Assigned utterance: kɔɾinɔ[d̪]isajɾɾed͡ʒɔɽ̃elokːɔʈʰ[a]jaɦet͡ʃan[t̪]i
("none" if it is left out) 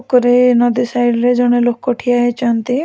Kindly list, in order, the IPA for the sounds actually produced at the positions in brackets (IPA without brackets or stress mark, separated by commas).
d̪, i, t̪